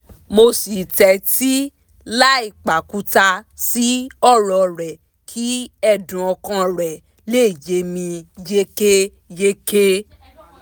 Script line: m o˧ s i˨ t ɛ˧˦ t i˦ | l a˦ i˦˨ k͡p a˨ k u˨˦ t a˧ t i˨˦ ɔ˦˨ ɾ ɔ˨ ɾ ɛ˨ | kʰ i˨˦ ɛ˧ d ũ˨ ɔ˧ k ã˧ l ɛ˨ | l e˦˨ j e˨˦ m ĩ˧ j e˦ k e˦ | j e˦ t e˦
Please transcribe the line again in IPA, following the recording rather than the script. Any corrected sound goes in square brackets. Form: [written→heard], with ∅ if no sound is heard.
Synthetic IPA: m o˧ s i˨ t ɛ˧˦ t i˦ | l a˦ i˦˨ k͡p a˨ k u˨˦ t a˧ [t→s] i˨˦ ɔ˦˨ ɾ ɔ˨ ɾ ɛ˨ | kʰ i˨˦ ɛ˧ d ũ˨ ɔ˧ k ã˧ [l→ɾ] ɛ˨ | l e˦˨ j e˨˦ m ĩ˧ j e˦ k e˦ | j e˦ [t→k] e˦